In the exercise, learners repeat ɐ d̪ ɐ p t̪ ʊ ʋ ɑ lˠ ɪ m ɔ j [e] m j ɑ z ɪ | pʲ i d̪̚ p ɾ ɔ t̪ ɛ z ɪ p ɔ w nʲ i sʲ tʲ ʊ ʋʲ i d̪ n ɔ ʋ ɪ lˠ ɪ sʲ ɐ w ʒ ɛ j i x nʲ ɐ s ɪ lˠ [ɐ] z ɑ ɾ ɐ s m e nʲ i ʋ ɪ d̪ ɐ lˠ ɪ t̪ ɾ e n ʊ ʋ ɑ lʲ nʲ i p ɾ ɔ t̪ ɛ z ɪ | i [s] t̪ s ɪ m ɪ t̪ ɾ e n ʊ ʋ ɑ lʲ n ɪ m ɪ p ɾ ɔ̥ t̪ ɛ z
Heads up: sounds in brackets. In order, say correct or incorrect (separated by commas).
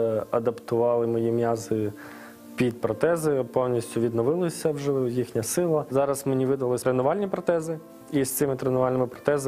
incorrect, correct, correct